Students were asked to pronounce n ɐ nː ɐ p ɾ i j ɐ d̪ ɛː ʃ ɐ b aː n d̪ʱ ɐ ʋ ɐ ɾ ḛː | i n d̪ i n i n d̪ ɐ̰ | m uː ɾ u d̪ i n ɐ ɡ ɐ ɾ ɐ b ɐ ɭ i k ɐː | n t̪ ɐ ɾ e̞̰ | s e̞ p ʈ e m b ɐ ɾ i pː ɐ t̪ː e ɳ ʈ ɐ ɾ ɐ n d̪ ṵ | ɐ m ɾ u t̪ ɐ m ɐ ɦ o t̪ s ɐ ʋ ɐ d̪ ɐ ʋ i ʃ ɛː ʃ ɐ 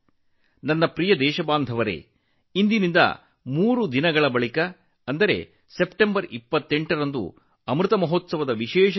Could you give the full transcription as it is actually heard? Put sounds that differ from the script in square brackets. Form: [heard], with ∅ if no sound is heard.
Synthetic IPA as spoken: n ɐ nː ɐ p ɾ i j ɐ d̪ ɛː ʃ ɐ b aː n d̪ʱ ɐ ʋ ɐ ɾ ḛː | i n d̪ i n i n d̪ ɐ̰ | m uː ɾ u d̪ i n ɐ ɡ ɐ [ɭ] ɐ b ɐ ɭ i k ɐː | n [d̪] ɐ ɾ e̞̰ | s e̞ p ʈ e m b ɐ ɾ i pː ɐ t̪ː e ɳ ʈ ɐ ɾ ɐ n d̪ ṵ | ɐ m ɾ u t̪ ɐ m ɐ ɦ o t̪ s ɐ ʋ ɐ d̪ ɐ ʋ i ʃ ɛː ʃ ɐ